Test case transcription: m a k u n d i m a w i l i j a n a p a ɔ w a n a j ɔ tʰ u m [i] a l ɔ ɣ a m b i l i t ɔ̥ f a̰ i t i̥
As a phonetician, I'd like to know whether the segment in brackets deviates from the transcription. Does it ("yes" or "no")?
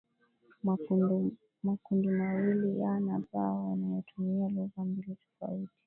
no